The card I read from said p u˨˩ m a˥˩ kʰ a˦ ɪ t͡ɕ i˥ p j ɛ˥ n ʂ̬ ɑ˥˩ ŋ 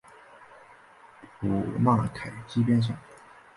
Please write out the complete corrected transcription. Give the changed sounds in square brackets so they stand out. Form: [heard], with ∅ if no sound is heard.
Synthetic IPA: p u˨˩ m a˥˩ kʰ [a˨˩] ɪ t͡ɕ i˥ p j ɛ˥ n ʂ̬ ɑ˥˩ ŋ